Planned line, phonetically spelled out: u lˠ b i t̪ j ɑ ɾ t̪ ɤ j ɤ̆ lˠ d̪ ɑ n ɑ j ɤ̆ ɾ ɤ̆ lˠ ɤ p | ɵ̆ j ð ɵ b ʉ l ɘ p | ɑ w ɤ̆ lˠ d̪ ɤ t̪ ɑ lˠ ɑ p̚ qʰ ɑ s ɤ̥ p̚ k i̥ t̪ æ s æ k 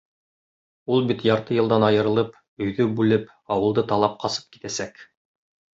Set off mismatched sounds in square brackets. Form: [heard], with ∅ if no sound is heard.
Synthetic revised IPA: u lˠ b i t̪ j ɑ ɾ t̪ ɤ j ɤ̆ lˠ d̪ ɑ n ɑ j ɤ̆ ɾ ɤ̆ lˠ ɤ p | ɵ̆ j ð ɵ b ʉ l ɘ p | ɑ w ɤ̆ lˠ d̪ ɤ t̪ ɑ lˠ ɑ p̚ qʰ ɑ s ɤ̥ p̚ k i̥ t̪ æ s æ k